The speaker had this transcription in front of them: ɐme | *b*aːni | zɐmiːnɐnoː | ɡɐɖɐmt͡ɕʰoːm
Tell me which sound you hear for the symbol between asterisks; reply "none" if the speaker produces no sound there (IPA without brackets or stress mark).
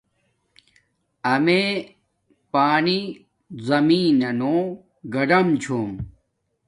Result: p